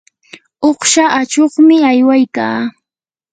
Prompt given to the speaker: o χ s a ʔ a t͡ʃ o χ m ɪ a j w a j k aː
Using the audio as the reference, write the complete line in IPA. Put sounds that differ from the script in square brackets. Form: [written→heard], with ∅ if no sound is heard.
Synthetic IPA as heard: o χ [s→ʃ] a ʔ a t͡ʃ o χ m ɪ a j w a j k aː